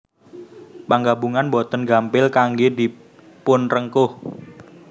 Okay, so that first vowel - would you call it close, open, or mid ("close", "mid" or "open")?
open